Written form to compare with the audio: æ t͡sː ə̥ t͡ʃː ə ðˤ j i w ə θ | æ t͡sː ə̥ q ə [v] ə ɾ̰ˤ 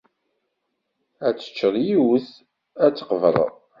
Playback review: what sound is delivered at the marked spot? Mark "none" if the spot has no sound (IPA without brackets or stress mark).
v